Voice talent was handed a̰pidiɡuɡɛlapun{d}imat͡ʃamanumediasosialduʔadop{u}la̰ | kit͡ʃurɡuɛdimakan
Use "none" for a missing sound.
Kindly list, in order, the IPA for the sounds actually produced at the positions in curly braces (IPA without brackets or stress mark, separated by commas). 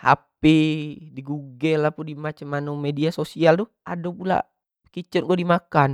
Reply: d, u